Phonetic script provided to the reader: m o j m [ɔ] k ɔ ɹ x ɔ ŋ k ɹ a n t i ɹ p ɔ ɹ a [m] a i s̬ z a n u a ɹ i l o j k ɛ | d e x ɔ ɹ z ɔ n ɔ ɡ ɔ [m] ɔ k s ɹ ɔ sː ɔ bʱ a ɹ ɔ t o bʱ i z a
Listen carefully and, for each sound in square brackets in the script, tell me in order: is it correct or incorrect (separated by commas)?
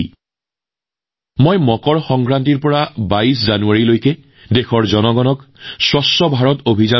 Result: correct, incorrect, incorrect